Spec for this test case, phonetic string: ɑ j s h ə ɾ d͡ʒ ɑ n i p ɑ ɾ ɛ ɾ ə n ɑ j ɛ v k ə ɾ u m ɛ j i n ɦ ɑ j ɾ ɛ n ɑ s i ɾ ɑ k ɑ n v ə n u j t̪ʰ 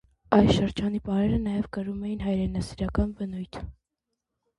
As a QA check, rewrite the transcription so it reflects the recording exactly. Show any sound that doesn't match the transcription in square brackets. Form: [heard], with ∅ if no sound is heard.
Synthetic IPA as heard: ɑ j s [ʃ] ə ɾ d͡ʒ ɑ n i p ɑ ɾ ɛ ɾ ə n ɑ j ɛ v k ə ɾ u m ɛ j i n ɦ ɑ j ɾ ɛ n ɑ s i ɾ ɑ k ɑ n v ə n u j t̪ʰ